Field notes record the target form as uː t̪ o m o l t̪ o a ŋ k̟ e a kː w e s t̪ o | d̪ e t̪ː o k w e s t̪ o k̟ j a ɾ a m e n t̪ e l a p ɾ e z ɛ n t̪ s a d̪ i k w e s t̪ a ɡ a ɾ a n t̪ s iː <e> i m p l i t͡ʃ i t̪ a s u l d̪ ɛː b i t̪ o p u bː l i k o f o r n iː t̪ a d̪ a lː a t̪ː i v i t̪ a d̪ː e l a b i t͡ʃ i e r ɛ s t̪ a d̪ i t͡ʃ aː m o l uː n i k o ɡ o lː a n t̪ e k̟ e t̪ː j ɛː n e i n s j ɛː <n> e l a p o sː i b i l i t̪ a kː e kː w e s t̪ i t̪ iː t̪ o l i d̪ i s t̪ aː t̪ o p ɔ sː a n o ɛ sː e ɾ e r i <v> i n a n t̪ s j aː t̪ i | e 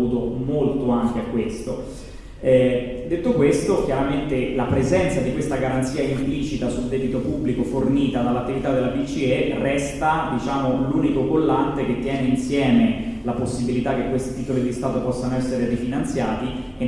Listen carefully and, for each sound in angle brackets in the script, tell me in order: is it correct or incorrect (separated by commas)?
incorrect, incorrect, incorrect